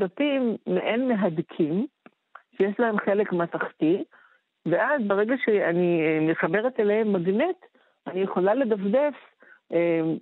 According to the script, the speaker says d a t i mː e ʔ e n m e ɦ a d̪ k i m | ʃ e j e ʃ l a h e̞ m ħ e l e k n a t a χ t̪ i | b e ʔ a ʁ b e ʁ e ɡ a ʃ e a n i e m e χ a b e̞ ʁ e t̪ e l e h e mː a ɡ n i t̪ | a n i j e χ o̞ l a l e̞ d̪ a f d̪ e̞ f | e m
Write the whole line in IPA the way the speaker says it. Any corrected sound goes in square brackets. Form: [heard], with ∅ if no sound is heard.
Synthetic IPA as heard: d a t i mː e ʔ e n m e ɦ a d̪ [kʰ] i m | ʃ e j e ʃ l a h e̞ m [χ] e l e k [m] a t a χ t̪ i | [v] e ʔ a [z] b e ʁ e ɡ a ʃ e a n i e m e χ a b e̞ ʁ e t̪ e l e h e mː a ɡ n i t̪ | a n i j e χ o̞ l a l e̞ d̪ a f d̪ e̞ f | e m